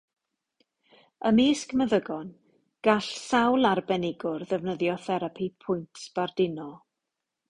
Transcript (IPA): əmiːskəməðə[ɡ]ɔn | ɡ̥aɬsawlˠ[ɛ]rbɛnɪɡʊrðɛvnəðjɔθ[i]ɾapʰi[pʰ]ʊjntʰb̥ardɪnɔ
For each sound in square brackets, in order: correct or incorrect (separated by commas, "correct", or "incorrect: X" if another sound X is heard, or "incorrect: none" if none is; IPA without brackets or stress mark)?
correct, incorrect: a, incorrect: ɛ, correct